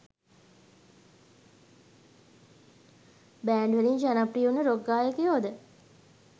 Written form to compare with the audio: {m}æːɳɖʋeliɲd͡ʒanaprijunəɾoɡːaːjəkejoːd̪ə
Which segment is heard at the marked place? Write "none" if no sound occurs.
b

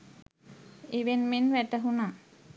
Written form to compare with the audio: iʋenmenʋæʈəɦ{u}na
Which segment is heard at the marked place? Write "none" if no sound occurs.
u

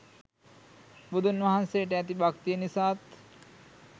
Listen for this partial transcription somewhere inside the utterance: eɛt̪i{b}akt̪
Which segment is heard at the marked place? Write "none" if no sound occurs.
b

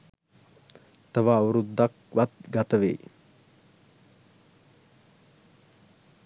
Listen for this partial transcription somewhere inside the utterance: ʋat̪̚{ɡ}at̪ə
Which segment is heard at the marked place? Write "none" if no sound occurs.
ɡ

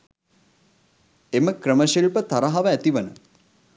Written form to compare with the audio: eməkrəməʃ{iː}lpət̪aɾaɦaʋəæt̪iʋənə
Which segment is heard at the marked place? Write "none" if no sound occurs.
i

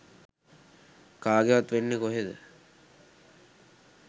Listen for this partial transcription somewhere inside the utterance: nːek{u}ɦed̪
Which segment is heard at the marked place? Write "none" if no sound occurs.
o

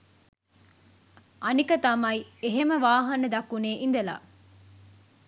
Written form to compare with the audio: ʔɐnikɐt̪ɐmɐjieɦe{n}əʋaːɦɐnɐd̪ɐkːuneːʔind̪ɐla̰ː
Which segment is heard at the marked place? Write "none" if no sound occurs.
m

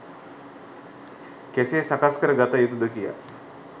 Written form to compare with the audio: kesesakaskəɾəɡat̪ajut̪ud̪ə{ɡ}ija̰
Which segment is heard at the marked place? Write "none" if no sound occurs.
k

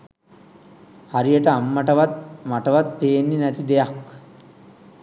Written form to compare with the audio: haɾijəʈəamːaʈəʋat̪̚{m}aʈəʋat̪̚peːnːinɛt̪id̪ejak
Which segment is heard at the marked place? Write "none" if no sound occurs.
m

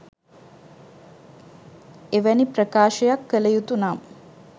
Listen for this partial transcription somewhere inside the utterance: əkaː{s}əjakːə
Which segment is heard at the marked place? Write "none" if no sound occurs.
ʃ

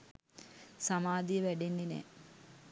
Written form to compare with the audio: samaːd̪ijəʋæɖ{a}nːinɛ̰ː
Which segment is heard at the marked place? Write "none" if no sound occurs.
e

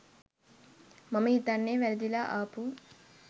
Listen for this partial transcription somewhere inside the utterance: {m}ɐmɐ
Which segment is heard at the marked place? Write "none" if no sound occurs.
m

